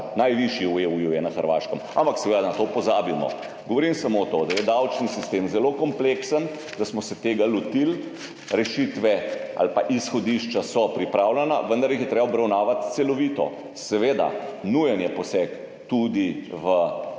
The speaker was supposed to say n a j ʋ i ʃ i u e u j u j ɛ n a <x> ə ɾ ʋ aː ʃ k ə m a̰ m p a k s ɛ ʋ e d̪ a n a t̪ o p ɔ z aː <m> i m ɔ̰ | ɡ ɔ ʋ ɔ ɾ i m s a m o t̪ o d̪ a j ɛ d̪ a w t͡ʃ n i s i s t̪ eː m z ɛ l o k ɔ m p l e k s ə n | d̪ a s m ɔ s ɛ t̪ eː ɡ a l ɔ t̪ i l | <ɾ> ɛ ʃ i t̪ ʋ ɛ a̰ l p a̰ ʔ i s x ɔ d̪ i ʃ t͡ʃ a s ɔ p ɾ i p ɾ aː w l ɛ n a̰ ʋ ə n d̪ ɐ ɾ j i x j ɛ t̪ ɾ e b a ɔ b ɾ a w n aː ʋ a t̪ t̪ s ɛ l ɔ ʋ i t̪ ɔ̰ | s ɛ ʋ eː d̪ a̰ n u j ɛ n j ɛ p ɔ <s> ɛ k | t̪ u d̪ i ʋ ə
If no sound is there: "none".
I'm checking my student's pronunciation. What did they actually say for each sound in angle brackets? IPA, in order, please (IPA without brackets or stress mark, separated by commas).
x, b, ɾ, s